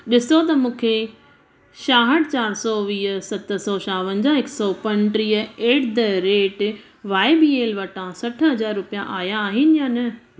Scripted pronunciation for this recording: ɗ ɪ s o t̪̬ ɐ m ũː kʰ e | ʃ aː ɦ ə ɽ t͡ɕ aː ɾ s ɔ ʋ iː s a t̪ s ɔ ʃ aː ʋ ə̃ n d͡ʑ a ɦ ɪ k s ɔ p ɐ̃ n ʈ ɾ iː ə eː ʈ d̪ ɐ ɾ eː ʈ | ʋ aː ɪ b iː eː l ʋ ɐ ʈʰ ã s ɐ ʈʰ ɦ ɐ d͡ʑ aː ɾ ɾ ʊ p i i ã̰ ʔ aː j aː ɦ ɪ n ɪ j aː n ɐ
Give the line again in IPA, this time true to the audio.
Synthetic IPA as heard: ɗ ɪ s o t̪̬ ɐ m ũː kʰ e | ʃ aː ɦ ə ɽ t͡ɕ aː ɾ s ɔ ʋ iː s ɐ t̪ s ɔ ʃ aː ʋ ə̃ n d͡ʑ a ɦ ɪ k s ɔ p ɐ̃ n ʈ ɾ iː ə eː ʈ d̪ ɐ ɾ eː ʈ | ʋ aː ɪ b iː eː l ʋ ɐ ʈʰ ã s ɐ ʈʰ ɦ ɐ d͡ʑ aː ɾ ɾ ʊ p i j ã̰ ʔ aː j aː ɦ ɪ n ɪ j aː n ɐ